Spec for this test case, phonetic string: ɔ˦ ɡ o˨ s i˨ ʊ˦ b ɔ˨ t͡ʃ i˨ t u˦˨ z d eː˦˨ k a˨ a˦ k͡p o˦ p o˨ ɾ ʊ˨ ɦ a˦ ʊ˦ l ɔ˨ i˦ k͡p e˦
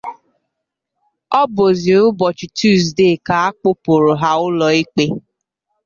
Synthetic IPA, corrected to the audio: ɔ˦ b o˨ z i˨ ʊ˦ b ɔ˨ t͡ʃ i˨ t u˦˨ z d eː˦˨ k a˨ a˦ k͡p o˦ p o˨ ɾ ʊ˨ ɦ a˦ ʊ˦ l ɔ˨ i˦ k͡p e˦